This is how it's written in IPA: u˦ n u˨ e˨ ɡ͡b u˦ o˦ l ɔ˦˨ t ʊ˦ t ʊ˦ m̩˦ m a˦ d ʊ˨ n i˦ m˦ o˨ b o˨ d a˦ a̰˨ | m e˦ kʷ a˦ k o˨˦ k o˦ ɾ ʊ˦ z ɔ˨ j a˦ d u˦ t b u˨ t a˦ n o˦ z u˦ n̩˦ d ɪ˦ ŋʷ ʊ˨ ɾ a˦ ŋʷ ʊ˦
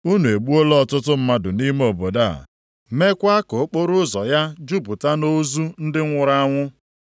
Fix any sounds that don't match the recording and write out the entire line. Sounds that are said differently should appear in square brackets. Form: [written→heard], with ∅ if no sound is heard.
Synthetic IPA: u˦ n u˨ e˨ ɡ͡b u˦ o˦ l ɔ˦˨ t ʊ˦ t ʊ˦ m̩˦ m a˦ d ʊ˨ n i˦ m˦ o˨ b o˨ d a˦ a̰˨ | m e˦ kʷ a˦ k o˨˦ [k→k͡p] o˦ ɾ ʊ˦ z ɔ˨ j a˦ [d→d͡ʒ] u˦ [t→∅] b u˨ t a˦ n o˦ z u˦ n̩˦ d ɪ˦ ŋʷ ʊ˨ ɾ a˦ ŋʷ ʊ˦